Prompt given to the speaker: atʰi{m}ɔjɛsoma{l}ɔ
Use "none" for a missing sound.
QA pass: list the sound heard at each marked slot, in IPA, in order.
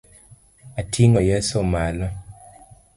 ŋ, l

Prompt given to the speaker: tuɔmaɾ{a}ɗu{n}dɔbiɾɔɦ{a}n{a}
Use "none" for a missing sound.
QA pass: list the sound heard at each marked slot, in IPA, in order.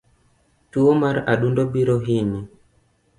a, n, i, i

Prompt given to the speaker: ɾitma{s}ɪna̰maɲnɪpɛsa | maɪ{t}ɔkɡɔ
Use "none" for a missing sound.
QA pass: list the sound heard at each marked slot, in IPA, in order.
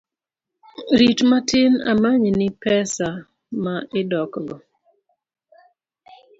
t, d

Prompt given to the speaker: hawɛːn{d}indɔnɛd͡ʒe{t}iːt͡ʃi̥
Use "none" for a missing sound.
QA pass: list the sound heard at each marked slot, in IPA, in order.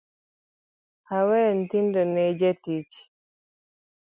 t, t

